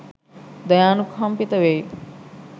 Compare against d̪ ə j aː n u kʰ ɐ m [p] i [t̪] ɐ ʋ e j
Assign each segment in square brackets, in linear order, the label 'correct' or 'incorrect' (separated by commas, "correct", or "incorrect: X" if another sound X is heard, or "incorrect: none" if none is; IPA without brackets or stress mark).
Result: correct, correct